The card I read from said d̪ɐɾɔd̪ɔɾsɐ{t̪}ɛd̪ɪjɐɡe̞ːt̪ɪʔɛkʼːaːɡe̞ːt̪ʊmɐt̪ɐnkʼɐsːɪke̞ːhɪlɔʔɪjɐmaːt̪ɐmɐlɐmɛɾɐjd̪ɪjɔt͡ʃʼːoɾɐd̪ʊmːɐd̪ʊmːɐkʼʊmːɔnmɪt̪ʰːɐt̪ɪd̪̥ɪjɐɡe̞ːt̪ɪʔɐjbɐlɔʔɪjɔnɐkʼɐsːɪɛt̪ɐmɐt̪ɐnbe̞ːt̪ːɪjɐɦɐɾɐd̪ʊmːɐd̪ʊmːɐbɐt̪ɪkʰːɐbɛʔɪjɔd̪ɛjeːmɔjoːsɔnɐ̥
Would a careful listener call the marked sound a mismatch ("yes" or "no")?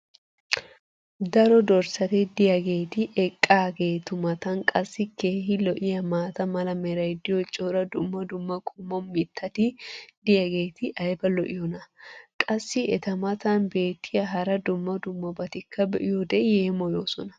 no